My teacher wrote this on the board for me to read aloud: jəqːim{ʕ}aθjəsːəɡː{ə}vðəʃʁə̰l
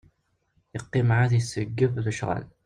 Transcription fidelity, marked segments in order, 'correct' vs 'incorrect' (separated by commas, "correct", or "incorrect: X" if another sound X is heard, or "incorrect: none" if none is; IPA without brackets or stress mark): correct, correct